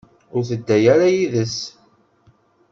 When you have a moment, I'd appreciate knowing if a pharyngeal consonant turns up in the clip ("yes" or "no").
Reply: no